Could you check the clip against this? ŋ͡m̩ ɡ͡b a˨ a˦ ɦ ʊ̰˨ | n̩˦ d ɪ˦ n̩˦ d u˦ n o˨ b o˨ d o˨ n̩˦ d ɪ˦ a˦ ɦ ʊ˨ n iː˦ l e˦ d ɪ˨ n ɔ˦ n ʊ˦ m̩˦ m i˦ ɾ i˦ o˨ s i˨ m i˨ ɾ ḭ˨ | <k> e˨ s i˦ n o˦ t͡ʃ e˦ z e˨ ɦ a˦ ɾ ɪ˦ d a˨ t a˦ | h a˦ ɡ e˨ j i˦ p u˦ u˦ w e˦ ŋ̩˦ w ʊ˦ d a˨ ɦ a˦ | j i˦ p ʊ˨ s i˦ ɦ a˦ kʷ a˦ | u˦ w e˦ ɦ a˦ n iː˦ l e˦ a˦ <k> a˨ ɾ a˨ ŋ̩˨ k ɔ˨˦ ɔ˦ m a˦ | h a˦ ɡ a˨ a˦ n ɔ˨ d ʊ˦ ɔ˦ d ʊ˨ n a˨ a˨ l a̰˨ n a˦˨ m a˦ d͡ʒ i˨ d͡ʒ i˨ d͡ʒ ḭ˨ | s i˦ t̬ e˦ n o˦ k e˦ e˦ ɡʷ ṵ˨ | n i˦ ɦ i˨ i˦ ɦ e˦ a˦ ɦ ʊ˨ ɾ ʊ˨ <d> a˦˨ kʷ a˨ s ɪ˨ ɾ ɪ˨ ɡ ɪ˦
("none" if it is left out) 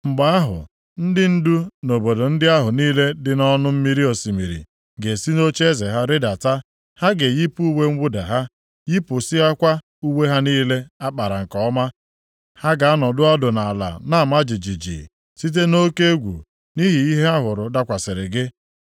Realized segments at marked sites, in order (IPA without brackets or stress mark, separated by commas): ɡ, k͡p, d